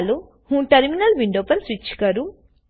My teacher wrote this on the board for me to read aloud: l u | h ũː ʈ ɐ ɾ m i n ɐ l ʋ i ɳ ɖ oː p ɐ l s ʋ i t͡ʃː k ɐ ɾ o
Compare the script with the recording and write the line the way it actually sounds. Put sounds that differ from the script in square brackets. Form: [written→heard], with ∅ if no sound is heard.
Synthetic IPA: l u | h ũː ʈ ɐ ɾ m i n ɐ l ʋ i ɳ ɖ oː p ɐ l s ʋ i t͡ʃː k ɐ ɾ [o→u]